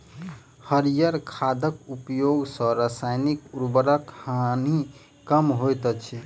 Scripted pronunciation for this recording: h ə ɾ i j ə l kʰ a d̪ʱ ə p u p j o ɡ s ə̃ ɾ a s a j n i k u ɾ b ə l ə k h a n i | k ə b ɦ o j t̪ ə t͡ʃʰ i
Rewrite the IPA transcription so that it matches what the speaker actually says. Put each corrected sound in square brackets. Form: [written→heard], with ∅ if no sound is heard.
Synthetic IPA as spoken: h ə ɾ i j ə [l→ɾ] kʰ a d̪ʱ ə [p→k] u p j o ɡ s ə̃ ɾ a s a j n i k u ɾ b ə [l→ɾ] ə k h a n i | k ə [b→m] ɦ o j t̪ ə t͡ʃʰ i